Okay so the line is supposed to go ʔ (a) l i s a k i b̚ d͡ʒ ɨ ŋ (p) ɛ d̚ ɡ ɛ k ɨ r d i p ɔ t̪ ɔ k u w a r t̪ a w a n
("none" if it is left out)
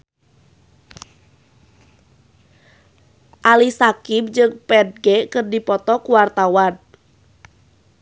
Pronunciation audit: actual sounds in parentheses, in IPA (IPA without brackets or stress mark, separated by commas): a, p